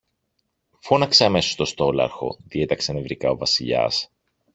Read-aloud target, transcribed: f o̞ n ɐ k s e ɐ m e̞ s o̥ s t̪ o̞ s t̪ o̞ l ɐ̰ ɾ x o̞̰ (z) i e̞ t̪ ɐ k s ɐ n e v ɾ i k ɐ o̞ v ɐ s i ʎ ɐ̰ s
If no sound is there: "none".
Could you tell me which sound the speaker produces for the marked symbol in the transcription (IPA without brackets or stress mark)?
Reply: ð